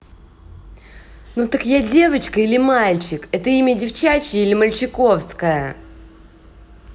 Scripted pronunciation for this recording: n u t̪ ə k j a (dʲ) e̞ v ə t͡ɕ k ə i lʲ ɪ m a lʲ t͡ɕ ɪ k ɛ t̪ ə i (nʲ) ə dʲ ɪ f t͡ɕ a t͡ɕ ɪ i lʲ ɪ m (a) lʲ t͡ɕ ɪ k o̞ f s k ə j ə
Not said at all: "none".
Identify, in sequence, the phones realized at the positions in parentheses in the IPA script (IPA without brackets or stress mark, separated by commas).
dʲ, mʲ, ə